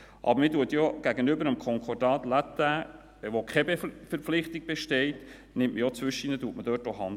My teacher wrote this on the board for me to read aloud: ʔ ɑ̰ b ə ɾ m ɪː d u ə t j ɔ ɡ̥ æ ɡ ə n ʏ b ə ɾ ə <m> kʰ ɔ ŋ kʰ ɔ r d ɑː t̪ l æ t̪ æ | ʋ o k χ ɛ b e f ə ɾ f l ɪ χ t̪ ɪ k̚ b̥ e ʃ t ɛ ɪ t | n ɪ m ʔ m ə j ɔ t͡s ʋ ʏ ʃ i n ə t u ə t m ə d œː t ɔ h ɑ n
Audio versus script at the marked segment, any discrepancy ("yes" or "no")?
no